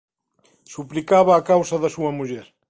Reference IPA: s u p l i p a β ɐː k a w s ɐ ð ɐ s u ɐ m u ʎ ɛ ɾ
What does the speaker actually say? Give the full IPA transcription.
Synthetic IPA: s u p l i k a β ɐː k a w s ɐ ð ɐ s u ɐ m u ʎ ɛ ɾ